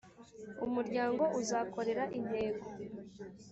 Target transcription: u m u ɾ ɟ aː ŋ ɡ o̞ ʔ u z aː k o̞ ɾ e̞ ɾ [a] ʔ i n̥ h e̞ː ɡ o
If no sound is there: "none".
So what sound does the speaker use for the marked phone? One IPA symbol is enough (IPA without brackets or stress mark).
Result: a